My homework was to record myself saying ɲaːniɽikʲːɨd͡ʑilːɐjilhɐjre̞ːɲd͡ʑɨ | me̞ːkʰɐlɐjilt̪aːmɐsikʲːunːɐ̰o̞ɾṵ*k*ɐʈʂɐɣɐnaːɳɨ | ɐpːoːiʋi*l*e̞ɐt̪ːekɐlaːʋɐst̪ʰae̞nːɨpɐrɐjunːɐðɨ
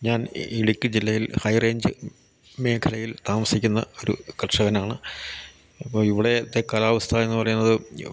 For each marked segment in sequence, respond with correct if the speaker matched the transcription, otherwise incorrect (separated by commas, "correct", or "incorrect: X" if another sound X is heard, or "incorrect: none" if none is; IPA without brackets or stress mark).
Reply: correct, incorrect: ɽ